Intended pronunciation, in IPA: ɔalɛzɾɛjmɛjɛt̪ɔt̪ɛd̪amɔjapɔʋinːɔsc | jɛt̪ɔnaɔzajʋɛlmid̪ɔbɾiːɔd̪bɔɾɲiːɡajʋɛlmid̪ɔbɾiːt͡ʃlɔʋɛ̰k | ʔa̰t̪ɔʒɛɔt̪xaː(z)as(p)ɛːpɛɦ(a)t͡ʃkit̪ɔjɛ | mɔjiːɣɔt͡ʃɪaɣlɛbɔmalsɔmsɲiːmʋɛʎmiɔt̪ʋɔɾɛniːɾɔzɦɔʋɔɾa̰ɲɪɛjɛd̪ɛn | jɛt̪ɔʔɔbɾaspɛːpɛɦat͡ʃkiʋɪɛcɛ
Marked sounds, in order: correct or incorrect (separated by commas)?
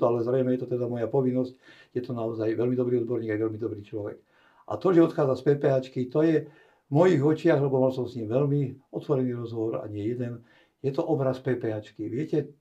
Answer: incorrect, correct, correct